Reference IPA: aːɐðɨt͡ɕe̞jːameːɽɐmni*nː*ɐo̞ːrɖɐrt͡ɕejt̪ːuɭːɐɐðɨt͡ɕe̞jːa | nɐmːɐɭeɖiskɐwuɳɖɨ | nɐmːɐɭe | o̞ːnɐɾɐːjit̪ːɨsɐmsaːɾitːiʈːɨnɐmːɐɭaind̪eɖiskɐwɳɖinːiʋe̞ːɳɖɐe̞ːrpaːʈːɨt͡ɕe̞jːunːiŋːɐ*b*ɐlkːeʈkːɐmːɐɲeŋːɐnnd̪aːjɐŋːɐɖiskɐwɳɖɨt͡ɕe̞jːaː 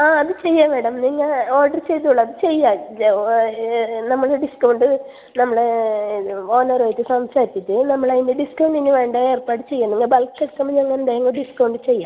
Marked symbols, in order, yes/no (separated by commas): no, yes